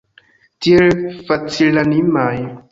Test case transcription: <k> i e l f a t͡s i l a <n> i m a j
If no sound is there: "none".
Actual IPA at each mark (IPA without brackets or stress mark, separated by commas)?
t, n